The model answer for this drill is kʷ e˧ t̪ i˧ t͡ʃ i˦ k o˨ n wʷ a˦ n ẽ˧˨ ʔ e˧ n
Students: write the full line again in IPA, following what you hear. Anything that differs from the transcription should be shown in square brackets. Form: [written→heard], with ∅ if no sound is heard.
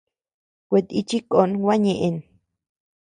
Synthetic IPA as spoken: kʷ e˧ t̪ i˧ t͡ʃ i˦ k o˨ n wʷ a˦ [n→ɲ] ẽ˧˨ ʔ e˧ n